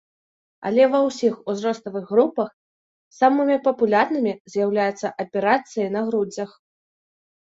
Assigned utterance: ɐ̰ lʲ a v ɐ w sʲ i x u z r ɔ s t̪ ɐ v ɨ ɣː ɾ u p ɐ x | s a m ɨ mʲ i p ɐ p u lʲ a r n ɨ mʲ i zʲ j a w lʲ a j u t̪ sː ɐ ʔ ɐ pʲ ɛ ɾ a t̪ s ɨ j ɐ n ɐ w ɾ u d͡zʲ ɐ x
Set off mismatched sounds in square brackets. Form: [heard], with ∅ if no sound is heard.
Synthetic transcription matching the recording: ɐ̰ lʲ [ɛ] v ɐ w sʲ i x u z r ɔ s t̪ ɐ v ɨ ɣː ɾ u p ɐ x | s a m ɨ mʲ i p ɐ p u lʲ a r n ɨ mʲ i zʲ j a w lʲ a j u t̪ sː ɐ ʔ ɐ pʲ ɛ ɾ a t̪ s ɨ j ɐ n ɐ [ɣ] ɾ u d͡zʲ ɐ x